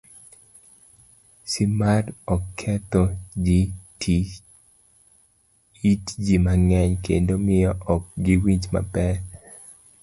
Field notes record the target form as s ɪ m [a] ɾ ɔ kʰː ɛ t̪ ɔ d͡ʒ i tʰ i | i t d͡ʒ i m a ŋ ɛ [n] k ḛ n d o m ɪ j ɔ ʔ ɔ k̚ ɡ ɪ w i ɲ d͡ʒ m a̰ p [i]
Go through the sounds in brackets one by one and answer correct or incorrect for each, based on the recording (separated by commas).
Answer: correct, incorrect, incorrect